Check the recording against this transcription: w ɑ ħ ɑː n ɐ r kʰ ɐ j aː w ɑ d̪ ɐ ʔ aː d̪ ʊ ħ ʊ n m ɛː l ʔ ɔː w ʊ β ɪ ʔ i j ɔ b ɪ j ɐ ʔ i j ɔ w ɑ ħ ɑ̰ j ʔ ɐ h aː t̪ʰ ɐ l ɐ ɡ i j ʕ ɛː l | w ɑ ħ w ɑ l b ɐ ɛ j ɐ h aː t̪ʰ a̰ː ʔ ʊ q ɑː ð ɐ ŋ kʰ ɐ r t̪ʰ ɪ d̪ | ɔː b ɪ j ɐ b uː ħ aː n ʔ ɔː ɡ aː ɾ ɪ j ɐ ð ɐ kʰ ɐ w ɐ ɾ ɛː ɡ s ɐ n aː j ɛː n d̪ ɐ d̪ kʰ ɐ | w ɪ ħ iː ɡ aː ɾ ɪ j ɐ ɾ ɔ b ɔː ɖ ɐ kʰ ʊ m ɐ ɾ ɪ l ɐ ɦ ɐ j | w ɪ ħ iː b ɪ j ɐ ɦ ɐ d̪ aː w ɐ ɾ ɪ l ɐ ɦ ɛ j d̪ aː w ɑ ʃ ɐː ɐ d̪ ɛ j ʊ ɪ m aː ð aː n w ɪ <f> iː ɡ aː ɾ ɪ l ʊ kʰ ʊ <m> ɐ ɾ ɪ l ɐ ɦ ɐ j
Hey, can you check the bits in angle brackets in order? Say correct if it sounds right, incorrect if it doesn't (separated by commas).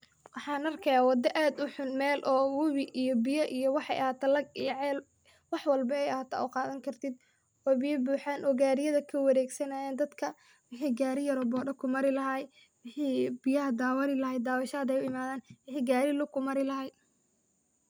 incorrect, correct